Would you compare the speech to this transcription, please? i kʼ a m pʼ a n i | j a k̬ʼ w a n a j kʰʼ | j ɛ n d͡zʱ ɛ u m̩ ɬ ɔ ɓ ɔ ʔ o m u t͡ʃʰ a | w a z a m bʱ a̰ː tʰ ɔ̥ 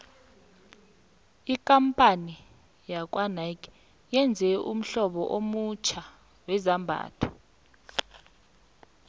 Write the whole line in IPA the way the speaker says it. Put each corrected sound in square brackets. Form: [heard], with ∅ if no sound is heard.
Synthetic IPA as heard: i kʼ a m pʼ a n i | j a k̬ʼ w a n a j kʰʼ | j ɛ n d͡zʱ ɛ u m̩ ɬ ɔ ɓ ɔ ʔ o m u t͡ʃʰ a | w [ɛ] z a m bʱ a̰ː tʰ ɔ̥